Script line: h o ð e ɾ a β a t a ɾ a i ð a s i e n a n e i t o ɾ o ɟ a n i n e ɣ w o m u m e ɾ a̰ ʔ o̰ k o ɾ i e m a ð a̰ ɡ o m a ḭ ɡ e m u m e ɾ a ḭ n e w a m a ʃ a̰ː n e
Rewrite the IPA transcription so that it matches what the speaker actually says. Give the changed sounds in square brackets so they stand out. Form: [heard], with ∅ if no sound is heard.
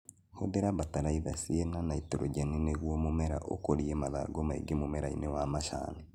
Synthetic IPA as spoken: h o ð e ɾ a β a t a ɾ a i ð a s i e n a n [a] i t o ɾ o ɟ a n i n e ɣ w o m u m e ɾ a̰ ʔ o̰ k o ɾ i e m a ð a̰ ɡ o m a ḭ ɡ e m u m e ɾ a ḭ n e w a m a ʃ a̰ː n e